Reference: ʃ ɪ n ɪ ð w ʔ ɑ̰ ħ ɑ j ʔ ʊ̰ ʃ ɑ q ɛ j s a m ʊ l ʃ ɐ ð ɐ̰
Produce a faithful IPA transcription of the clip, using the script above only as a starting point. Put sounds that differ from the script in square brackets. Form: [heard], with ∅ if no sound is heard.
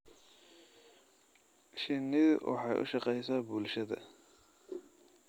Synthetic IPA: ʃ ɪ n ɪ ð w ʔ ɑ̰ ħ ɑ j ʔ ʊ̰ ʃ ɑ q ɛ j s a [b] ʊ l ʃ ɐ ð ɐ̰